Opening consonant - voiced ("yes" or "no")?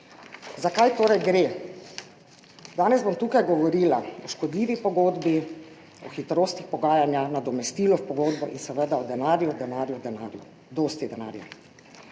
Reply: yes